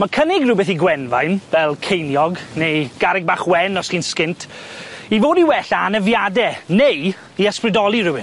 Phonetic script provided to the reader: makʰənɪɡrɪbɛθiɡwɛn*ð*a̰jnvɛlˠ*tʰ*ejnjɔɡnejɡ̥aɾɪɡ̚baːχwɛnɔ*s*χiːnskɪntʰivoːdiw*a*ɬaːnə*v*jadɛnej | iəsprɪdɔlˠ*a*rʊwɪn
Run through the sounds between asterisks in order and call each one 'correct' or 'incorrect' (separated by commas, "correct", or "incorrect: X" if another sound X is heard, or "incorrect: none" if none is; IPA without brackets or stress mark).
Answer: incorrect: v, incorrect: kʰ, correct, incorrect: ɛ, correct, incorrect: i